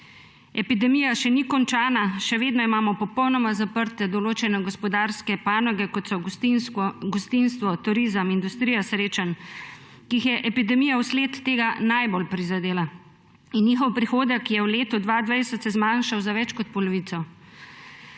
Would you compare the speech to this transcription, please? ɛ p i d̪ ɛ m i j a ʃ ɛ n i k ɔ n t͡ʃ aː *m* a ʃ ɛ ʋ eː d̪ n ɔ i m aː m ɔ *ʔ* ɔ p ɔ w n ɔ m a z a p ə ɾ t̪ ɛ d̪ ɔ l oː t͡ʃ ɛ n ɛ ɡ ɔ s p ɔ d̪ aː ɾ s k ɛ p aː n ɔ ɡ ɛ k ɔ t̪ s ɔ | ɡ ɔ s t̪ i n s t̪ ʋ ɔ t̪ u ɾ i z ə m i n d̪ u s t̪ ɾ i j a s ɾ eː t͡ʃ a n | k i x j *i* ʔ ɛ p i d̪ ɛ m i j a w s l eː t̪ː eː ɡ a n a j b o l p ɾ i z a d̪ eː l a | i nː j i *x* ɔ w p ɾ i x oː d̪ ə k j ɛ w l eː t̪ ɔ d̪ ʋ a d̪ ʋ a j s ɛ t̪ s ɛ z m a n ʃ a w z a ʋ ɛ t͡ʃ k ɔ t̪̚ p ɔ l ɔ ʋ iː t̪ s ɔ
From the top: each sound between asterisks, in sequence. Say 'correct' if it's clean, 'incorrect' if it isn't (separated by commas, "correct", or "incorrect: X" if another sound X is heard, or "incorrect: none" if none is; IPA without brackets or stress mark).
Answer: incorrect: n, incorrect: p, incorrect: ɛ, correct